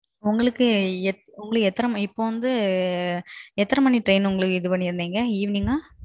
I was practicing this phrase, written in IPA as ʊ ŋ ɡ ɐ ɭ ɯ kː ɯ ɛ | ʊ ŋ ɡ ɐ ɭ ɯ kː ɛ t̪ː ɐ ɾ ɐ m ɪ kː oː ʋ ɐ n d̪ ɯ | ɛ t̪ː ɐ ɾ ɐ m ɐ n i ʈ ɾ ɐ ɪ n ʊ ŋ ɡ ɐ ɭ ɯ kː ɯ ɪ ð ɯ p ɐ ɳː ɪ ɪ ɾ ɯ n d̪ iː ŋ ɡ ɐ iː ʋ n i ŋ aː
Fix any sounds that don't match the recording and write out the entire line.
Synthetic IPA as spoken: ʊ ŋ ɡ ɐ ɭ ɯ kː ɯ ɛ | ʊ ŋ ɡ ɐ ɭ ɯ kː ɛ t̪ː ɐ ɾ ɐ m ɪ pː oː ʋ ɐ n d̪ ɯ | ɛ t̪ː ɐ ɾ ɐ m ɐ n i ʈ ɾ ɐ ɪ n ʊ ŋ ɡ ɐ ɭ ɯ kː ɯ ɪ ð ɯ p ɐ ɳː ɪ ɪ ɾ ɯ n d̪ iː ŋ ɡ ɐ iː ʋ n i ŋ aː